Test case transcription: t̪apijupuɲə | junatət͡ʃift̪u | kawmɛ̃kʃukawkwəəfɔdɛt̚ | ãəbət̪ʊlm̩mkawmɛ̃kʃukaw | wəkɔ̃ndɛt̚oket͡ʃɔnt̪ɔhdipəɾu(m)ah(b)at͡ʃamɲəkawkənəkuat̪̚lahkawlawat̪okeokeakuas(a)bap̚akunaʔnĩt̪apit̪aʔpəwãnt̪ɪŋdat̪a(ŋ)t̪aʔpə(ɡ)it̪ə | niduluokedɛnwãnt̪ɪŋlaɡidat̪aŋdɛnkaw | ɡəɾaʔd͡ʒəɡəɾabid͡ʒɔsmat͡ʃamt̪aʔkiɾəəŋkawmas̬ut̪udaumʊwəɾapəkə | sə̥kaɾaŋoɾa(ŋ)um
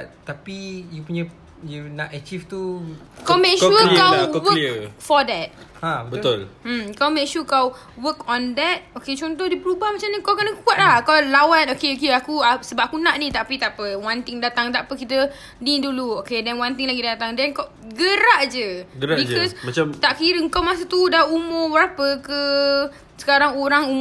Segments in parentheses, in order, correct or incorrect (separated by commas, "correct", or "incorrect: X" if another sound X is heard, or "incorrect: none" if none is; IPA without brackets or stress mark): incorrect: b, incorrect: m, incorrect: ə, correct, incorrect: k, correct